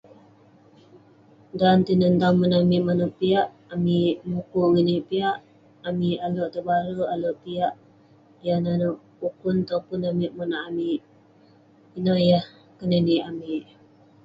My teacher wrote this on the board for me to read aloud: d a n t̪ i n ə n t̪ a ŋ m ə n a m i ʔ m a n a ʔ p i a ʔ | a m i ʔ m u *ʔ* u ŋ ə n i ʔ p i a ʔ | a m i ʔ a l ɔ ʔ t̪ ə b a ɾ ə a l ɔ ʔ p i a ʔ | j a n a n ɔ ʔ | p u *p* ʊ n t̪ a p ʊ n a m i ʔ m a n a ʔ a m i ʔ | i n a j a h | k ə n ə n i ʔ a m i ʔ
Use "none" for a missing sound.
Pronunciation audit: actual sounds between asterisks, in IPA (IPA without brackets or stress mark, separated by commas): k, k